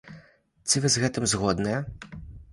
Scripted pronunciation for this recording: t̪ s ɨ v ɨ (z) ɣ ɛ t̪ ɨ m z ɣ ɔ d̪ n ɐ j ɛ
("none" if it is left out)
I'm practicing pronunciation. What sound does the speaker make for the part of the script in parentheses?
z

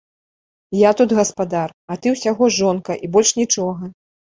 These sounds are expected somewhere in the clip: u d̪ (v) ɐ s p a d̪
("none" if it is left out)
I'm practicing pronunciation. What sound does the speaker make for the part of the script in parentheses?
ɣ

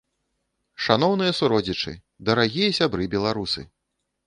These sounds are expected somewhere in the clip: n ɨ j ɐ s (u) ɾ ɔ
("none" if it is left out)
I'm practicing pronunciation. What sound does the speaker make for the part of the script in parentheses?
u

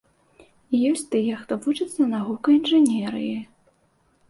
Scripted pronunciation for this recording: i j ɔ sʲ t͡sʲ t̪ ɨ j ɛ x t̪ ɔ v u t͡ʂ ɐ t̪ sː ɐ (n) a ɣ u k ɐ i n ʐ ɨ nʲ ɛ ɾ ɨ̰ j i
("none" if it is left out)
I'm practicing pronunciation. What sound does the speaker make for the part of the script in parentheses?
n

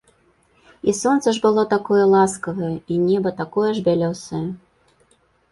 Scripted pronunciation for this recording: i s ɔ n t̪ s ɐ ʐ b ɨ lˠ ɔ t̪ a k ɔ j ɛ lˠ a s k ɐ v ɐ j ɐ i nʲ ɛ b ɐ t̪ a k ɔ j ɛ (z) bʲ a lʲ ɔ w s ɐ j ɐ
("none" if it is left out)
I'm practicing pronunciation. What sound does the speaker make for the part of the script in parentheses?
ʐ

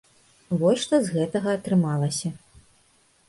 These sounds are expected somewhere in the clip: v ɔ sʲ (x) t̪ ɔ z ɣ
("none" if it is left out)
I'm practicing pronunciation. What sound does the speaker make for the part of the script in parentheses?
ʂ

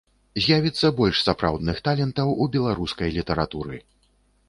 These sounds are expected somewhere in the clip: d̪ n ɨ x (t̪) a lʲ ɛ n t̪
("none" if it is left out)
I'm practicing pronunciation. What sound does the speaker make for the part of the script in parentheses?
t̪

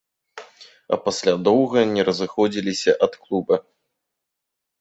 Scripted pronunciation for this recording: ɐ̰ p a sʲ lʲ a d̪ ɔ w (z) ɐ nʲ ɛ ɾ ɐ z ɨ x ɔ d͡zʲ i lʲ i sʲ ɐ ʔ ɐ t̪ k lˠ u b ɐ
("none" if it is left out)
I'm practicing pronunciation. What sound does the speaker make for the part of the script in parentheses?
ɣ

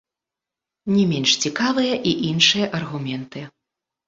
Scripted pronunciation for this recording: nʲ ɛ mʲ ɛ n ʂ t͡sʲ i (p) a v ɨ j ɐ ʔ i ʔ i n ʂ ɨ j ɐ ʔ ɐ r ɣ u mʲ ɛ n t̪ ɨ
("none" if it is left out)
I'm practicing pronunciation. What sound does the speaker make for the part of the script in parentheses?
k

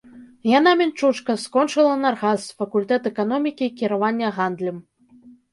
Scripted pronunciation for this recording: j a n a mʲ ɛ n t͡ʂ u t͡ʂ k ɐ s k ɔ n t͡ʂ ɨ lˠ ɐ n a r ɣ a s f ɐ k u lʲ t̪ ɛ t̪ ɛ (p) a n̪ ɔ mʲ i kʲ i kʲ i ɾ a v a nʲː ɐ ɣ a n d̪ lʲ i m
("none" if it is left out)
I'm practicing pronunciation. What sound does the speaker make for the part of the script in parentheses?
k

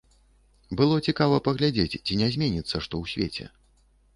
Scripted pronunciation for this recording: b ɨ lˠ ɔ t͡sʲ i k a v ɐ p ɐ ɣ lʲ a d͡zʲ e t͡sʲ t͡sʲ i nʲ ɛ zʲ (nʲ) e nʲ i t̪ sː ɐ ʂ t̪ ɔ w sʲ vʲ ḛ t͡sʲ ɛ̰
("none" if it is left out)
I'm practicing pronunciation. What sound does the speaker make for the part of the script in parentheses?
mʲ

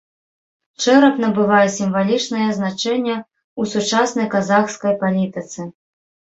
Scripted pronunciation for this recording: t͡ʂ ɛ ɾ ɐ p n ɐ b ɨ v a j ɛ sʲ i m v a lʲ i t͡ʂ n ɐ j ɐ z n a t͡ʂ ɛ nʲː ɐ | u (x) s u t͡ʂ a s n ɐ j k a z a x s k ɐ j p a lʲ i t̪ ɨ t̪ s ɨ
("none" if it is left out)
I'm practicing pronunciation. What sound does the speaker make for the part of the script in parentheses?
none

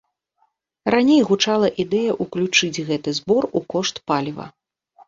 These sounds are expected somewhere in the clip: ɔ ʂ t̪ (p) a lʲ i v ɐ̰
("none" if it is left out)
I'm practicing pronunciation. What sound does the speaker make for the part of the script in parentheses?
p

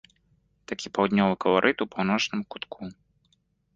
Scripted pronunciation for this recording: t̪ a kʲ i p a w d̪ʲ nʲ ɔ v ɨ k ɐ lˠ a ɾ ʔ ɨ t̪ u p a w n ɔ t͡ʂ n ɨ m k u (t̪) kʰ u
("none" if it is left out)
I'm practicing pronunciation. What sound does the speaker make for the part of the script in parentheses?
t̪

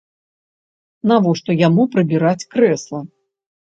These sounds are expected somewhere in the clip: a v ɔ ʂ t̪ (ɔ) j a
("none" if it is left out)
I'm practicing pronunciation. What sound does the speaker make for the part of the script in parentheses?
ɔ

